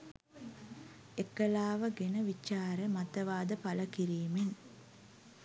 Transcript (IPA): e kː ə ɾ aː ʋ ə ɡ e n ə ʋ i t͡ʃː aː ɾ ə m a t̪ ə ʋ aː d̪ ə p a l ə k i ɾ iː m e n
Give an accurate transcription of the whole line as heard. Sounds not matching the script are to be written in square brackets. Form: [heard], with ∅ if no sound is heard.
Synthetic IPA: e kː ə [l] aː ʋ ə ɡ e n ə ʋ i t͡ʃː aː ɾ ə m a t̪ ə ʋ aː d̪ ə p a l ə k i ɾ iː m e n